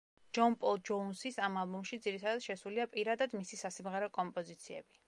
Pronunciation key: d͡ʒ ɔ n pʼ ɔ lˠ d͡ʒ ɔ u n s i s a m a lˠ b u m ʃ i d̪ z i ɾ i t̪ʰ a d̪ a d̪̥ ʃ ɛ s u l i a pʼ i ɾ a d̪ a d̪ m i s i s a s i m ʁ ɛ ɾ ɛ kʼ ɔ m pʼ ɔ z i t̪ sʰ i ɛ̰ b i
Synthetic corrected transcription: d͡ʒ ɔ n pʼ ɔ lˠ d͡ʒ ɔ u n s i s a m a lˠ b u m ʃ i d̪ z i ɾ i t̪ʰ a d̪ a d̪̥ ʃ ɛ s u l i a pʼ i ɾ a d̪ a d̪ m i s i s a s i m ʁ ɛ ɾ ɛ kʼ ɔ m pʼ ɔ z i t̪ sʰ i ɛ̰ b i